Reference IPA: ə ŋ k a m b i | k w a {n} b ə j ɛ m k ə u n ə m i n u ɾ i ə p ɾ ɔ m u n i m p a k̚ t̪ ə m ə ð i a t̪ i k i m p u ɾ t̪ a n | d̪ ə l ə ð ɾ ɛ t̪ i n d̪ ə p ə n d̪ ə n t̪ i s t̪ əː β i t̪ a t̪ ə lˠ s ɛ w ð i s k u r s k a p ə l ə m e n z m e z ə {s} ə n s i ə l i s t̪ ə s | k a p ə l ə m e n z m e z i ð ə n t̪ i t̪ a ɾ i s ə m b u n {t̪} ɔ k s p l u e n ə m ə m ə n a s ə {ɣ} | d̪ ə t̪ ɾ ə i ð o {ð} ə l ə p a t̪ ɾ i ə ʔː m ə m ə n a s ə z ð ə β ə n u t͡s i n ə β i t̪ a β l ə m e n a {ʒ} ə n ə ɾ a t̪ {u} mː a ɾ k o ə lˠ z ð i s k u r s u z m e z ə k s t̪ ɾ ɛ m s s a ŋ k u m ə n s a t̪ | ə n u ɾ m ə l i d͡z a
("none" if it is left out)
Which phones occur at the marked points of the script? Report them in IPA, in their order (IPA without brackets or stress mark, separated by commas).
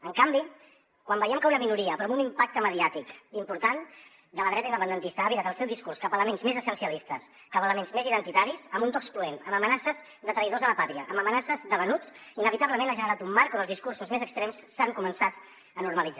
m, s, t̪, z, z, ʒ, u